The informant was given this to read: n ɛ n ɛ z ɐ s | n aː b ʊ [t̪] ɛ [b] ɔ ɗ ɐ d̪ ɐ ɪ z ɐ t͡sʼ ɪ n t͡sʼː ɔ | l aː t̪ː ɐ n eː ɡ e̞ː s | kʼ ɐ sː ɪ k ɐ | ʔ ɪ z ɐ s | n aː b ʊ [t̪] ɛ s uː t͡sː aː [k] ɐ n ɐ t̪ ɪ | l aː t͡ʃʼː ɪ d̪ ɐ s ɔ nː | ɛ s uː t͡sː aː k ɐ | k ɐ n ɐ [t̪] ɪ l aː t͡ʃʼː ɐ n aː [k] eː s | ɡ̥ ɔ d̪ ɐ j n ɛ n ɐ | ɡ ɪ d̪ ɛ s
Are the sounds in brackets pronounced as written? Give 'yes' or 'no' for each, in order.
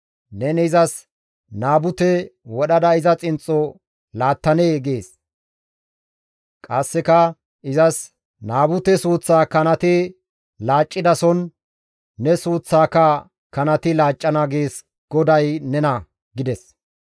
yes, no, yes, yes, yes, no

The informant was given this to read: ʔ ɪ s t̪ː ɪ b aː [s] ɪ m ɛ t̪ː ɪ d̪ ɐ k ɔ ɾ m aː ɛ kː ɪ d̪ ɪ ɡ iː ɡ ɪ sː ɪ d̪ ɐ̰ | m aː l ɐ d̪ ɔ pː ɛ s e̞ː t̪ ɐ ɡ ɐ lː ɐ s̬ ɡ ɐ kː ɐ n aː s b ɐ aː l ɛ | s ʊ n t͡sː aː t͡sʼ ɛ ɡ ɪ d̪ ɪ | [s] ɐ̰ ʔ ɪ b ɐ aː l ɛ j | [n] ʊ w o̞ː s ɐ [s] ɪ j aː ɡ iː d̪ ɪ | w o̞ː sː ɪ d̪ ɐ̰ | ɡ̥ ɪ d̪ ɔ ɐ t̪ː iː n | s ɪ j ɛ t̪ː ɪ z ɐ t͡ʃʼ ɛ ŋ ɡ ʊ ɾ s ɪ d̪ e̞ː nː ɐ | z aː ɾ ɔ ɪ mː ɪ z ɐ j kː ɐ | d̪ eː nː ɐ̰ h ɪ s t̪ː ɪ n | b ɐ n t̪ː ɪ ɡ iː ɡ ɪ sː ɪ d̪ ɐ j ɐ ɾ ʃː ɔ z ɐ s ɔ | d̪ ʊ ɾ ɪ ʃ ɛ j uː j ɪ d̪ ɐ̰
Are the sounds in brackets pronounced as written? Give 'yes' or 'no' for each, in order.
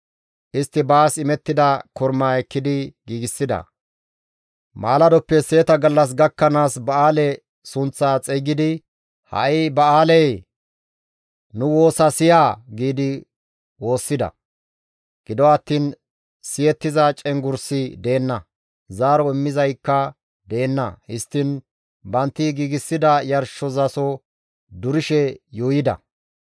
yes, no, yes, yes

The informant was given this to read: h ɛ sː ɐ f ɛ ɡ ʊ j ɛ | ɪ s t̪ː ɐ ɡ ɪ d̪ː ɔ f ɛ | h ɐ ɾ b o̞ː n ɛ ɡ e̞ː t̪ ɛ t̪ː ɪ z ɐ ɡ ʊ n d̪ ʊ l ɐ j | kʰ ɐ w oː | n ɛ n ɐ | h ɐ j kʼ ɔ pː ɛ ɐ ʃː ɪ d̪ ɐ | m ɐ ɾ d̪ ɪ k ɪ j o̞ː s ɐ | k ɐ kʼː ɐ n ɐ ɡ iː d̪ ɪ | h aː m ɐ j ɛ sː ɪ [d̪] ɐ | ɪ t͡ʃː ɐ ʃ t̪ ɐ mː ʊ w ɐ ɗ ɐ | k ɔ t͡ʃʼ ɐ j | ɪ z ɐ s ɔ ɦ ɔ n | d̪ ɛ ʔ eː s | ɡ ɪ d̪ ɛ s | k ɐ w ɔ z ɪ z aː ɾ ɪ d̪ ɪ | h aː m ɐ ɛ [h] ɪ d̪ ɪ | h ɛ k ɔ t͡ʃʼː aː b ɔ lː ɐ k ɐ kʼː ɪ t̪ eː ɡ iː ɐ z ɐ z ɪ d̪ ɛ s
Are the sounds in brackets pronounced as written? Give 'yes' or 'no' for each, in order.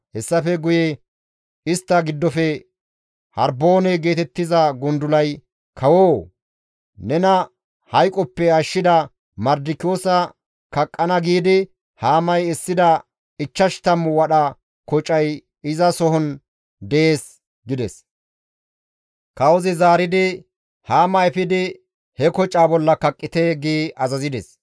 yes, no

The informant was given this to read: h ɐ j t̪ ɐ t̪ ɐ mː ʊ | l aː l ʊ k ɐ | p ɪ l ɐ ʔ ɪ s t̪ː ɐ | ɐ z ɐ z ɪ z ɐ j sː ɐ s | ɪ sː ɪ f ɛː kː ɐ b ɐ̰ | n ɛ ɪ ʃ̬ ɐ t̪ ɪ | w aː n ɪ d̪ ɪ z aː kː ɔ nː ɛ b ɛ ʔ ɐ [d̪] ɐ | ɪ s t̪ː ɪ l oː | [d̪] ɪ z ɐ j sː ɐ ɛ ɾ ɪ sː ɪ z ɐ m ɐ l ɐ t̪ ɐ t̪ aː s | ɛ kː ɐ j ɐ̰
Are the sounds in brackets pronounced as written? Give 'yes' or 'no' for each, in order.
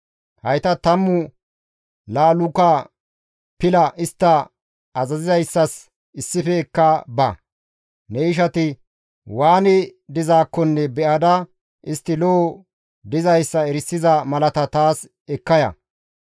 yes, yes

